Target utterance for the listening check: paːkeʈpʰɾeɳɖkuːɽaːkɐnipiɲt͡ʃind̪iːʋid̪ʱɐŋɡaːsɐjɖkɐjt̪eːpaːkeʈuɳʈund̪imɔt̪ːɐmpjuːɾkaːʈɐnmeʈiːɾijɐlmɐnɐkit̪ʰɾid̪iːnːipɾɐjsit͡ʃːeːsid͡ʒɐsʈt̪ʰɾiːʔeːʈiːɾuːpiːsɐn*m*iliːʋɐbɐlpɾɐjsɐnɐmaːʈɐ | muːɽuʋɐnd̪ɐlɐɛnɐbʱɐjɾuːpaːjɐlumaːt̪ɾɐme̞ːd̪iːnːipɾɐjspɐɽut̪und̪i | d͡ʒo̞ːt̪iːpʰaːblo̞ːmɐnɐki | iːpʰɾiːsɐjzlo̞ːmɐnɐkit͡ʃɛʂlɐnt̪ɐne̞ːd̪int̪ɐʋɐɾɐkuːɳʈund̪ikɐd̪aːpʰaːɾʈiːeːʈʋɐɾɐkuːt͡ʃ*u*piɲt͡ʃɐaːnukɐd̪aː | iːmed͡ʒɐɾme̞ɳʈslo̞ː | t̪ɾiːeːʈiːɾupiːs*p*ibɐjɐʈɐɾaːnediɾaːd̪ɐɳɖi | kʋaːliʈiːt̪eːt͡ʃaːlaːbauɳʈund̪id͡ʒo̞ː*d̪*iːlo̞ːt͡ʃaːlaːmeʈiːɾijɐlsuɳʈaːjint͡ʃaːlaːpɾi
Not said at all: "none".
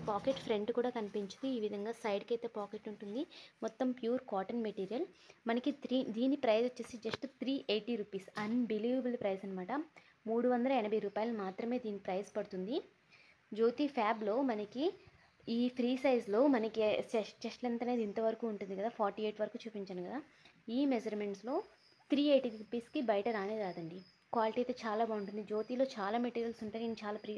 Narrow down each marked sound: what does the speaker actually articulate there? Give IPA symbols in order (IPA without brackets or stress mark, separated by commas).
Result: b, uː, k, t̪